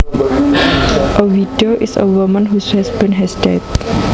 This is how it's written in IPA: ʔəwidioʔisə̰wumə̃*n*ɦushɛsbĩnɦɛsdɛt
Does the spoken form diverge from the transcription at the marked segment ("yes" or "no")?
no